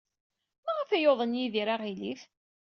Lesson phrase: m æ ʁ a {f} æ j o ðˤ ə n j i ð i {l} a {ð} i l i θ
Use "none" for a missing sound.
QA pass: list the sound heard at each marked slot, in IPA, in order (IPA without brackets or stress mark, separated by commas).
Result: f, ɾ, ʁ